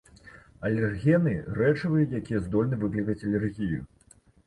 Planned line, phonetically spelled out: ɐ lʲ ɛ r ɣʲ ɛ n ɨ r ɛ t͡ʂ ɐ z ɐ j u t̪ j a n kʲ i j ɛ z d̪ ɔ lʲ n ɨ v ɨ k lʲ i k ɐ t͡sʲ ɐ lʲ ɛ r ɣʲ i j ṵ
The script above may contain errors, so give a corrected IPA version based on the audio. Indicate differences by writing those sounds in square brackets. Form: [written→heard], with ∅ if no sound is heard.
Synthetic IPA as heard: ɐ lʲ ɛ r ɣʲ ɛ n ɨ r ɛ t͡ʂ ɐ [z→v] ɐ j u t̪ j a [n→∅] kʲ i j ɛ z d̪ ɔ lʲ n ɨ v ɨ k lʲ i k ɐ t͡sʲ ɐ lʲ ɛ r ɣʲ i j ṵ